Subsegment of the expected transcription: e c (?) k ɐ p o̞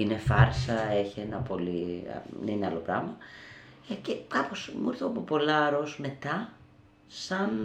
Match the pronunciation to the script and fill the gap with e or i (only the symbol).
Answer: e